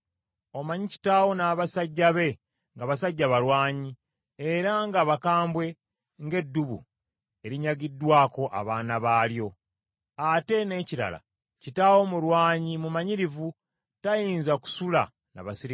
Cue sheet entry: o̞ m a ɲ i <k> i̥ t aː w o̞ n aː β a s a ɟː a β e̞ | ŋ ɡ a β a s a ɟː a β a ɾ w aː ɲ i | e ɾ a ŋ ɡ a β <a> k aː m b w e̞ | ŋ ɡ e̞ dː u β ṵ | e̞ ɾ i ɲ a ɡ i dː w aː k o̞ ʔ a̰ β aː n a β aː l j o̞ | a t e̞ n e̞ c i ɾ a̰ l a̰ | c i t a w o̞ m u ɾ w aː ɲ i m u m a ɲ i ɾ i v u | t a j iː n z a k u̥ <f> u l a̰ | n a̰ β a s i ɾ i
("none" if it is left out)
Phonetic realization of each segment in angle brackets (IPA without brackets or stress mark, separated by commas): c, a, s